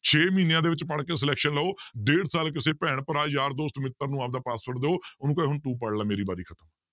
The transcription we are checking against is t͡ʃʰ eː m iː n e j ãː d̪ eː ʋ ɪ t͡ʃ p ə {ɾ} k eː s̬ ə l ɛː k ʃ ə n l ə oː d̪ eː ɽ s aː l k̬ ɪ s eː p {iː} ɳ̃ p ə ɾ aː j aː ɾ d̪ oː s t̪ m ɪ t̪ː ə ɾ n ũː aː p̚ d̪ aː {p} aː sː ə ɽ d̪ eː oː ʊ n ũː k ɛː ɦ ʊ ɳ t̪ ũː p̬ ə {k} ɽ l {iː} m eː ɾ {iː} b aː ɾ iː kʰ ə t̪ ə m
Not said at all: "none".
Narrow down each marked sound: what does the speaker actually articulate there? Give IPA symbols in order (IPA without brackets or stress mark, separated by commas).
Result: ɽ, ɛː, p, none, aː, iː